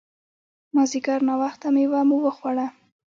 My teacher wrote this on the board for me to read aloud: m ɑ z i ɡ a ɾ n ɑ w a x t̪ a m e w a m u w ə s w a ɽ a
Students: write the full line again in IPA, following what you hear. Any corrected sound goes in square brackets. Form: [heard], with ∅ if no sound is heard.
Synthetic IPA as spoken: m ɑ z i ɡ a ɾ n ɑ w a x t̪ a m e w a m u w ə [x] w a ɽ a